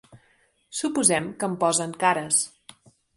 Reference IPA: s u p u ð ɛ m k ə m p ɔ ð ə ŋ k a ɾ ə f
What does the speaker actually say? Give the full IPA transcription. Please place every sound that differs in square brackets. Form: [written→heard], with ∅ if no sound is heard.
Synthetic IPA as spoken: s u p u [ð→z] ɛ m k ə m p ɔ [ð→z] ə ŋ k a ɾ ə [f→s]

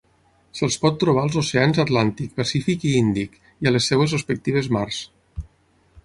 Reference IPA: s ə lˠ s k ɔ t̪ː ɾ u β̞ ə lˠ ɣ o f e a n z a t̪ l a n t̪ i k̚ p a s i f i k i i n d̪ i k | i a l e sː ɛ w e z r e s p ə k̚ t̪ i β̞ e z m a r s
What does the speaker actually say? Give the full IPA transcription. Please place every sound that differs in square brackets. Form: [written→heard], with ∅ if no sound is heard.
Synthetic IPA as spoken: s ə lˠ s [k→p] ɔ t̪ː ɾ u β̞ [ə→a] lˠ [ɣ→z] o [f→s] e a n z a t̪ l a n t̪ i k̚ p a s i f i k i i n d̪ i k | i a l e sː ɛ w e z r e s p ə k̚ t̪ i β̞ e z m a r s

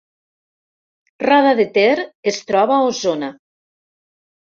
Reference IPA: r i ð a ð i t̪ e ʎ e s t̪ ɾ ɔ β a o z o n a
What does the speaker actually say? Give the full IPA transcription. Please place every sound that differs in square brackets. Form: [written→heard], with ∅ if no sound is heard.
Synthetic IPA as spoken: r [i→a] ð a ð [i→e] t̪ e [ʎ→ɾ] e s t̪ ɾ ɔ β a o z o n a

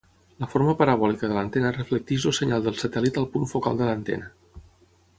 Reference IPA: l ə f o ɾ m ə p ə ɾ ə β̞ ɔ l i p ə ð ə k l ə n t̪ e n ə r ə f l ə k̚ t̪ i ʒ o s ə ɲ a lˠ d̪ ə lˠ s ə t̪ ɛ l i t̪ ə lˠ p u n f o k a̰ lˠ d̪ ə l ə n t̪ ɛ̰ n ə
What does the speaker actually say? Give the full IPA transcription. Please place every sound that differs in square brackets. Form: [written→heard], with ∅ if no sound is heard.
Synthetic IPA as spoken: l ə f o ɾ m ə p ə ɾ ə β̞ ɔ l i [p→k] ə ð ə [k→∅] l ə n t̪ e n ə r ə f l ə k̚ t̪ i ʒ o s ə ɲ a lˠ d̪ ə lˠ s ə t̪ ɛ l i t̪ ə lˠ p u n f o k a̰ lˠ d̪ ə l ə n t̪ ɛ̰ n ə

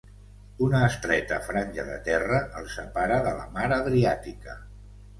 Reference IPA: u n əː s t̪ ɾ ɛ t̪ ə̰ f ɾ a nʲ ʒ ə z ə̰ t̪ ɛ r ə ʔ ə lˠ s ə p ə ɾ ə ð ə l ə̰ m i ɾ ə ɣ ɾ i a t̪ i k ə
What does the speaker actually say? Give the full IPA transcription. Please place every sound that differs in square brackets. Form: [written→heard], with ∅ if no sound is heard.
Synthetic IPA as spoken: u n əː s t̪ ɾ ɛ t̪ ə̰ f ɾ a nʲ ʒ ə [z→ð] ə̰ t̪ ɛ r ə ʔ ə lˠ s ə p [ə→a] ɾ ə ð ə l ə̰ m [i→a] ɾ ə [ɣ→ð] ɾ i a t̪ i k ə

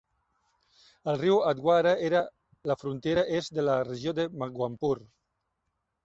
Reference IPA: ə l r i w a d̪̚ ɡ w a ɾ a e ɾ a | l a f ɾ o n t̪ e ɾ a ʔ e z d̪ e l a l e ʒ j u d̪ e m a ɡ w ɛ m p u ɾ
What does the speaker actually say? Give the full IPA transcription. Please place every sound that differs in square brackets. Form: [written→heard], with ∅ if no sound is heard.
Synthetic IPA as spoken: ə l r i w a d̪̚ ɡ w a ɾ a e ɾ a | l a f ɾ [o→u] n t̪ e ɾ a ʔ e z d̪ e l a [l→r] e ʒ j [u→o] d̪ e m a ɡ w [ɛ→a] m p u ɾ

